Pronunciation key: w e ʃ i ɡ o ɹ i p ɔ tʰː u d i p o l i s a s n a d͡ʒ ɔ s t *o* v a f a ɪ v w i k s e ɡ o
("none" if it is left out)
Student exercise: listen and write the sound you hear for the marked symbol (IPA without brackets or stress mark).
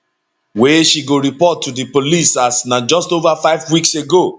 o